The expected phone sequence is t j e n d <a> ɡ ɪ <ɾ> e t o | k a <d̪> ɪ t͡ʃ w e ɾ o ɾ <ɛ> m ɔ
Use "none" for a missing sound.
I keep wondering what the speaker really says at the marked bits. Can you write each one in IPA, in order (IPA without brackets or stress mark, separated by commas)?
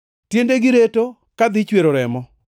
e, ɾ, d̪, ɛ